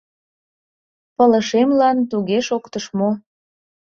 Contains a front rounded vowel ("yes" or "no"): no